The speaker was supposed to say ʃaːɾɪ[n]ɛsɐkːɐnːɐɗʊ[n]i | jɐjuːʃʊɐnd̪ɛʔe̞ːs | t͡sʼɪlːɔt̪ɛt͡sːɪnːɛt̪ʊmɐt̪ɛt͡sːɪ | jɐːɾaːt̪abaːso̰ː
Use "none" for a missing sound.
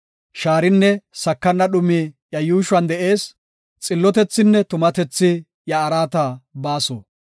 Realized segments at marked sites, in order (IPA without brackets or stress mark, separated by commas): nː, m